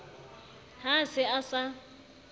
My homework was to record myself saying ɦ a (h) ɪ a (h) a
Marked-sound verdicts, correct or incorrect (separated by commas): incorrect, incorrect